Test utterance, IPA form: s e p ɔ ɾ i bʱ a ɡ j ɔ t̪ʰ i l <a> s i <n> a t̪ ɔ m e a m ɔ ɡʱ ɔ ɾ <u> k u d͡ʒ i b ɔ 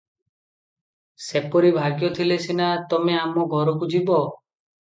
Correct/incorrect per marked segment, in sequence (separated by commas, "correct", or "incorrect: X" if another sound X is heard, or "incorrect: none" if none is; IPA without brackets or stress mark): incorrect: e, correct, incorrect: ɔ